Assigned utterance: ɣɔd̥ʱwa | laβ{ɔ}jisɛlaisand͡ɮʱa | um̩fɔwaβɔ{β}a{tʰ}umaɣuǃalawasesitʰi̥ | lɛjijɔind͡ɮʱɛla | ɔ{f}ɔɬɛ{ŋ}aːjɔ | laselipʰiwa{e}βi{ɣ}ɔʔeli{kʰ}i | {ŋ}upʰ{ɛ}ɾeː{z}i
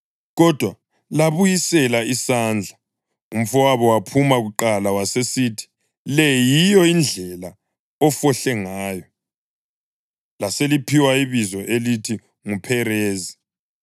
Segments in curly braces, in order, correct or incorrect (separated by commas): incorrect, incorrect, incorrect, correct, correct, incorrect, incorrect, incorrect, correct, correct, correct